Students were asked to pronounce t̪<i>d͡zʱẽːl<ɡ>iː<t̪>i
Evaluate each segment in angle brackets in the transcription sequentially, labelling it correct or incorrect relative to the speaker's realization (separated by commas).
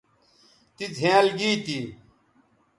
correct, correct, correct